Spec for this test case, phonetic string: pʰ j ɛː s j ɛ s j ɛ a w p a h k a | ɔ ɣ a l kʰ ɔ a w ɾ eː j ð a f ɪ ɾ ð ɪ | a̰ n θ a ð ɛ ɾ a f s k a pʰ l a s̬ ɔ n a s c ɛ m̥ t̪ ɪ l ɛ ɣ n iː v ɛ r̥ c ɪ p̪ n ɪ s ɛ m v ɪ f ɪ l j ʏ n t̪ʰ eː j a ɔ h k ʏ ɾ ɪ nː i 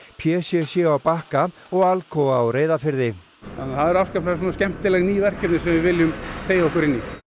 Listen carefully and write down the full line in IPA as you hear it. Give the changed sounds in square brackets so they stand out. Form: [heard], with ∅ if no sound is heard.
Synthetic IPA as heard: pʰ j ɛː s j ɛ s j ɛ a w p a h k a | ɔ ɣ a l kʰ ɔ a w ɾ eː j ð a f ɪ ɾ ð ɪ | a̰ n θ a ð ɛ ɾ a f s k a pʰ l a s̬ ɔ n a s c ɛ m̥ t̪ ɪ l ɛ ɣ n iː v ɛ r̥ c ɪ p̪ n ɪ s ɛ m v ɪ [v] ɪ l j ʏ [m] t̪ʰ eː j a ɔ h k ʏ ɾ ɪ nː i

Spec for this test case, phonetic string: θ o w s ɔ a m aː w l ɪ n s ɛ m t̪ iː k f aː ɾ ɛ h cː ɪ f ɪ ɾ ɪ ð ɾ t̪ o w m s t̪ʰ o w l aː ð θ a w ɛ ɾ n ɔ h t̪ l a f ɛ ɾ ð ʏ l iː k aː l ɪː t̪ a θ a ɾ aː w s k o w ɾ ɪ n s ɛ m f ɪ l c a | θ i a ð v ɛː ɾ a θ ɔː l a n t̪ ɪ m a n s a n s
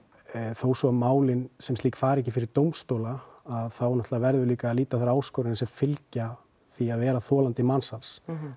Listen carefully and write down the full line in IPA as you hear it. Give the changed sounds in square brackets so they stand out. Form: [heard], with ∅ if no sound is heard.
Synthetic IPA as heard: θ o w s ɔ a m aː w l ɪ n s ɛ m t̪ iː k f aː ɾ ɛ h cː ɪ f ɪ ɾ ɪ [∅] ɾ t̪ o w m s [t̪] o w l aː ð θ a w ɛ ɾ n ɔ h t̪ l a [v] ɛ ɾ ð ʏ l iː k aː l [iː] t̪ a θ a ɾ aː w s k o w ɾ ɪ n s ɛ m f ɪ l c a | θ i a ð v ɛː ɾ a θ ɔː l a n t̪ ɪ m a n s a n s

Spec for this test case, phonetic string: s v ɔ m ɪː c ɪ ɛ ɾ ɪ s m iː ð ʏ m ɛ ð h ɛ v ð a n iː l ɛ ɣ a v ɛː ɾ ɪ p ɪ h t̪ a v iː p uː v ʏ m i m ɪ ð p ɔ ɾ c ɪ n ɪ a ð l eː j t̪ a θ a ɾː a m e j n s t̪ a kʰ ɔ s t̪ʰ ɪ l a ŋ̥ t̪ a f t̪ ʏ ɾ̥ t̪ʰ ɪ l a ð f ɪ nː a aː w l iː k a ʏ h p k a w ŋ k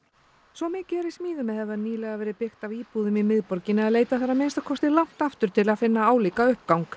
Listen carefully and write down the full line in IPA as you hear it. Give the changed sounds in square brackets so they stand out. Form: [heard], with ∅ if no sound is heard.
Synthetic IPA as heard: s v ɔ m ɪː c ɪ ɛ ɾ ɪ s m iː ð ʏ m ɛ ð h ɛ v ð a n iː l ɛ ɣ a v ɛː ɾ ɪ p ɪ [x] t̪ a v iː p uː [ð] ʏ m i m ɪ ð p ɔ ɾ c ɪ n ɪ a ð l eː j t̪ a θ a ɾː a m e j n s t̪ a kʰ ɔ s [t̪] ɪ l a ŋ̥ t̪ a f t̪ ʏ ɾ̥ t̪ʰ ɪ l a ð f ɪ nː a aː w l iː k a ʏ h p k a w ŋ k

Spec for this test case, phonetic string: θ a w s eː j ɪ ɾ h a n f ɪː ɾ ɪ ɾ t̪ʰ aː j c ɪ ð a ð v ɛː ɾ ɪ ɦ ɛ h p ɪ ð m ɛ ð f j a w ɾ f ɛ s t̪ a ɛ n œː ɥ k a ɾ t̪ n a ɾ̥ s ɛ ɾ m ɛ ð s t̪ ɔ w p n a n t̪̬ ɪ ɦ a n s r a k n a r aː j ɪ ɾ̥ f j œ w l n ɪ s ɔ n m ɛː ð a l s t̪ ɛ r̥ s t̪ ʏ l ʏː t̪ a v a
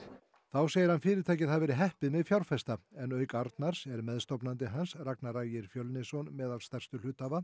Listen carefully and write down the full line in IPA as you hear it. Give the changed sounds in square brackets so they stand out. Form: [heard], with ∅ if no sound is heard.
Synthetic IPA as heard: θ a w s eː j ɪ ɾ h a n f ɪː ɾ ɪ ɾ t̪ʰ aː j c ɪ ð a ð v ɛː ɾ ɪ ɦ ɛ h p ɪ ð m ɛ ð f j a w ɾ f ɛ s t̪ a ɛ n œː ɥ k a ɾ t̪ n a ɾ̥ s ɛ ɾ m ɛ ð s t̪ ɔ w p n a n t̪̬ ɪ ɦ a n s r a k n a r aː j ɪ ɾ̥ f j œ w l n ɪ s ɔ n m ɛː ð a l s t̪ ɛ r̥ s t̪ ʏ l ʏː t̪ a v a

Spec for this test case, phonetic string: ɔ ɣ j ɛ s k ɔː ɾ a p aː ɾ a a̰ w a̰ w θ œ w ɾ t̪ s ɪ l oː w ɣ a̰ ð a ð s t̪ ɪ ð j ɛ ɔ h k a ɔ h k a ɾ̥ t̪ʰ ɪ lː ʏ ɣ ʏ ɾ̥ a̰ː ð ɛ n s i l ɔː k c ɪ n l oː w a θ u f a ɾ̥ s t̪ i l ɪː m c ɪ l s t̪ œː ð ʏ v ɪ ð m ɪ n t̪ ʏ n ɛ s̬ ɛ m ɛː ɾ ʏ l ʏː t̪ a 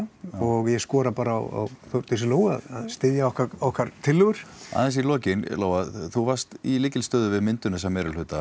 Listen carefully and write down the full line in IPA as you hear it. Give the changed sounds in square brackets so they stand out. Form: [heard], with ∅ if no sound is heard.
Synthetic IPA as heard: ɔ ɣ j ɛ s k ɔː ɾ a p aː ɾ a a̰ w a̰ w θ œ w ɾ t̪ s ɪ l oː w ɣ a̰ ð a ð s t̪ ɪ ð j [a] ɔ h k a ɔ h k a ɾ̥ t̪ʰ ɪ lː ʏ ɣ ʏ ɾ̥ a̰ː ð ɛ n s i l ɔː [∅] c ɪ n l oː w a θ u [v] a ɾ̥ s t̪ i l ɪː [∅] c ɪ l s t̪ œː ð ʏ v ɪ ð m ɪ n t̪ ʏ n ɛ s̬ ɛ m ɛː ɾ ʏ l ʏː t̪ a

